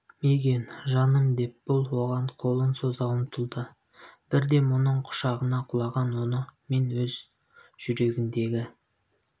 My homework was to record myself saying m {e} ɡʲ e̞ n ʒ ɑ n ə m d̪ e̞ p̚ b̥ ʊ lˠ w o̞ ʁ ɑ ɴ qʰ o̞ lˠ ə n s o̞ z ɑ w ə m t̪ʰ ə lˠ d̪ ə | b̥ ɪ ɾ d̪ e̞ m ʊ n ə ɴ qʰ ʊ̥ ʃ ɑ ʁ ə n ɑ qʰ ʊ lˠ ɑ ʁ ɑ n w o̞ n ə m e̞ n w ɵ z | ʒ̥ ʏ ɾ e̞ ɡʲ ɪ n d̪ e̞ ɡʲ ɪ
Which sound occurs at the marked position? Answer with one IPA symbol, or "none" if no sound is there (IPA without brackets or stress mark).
e